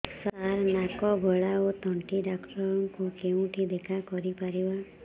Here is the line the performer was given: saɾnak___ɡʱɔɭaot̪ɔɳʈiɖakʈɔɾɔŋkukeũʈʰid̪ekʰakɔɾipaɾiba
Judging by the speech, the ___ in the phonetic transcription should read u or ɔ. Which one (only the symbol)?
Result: ɔ